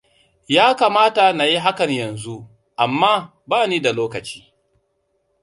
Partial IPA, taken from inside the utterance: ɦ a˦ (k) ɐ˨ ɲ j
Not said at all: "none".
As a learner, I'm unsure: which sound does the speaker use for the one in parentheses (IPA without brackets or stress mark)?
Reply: k